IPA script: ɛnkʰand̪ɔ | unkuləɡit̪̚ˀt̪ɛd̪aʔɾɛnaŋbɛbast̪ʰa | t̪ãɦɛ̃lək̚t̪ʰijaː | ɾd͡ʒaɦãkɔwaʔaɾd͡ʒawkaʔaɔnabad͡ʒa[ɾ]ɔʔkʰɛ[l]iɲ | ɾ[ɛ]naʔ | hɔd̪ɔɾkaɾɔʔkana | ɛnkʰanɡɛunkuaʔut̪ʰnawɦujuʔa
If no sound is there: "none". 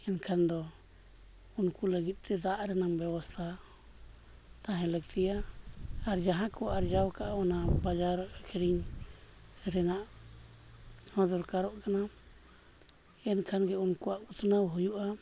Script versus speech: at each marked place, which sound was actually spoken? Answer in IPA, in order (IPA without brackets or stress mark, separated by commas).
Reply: ɾ, ɾ, ɛ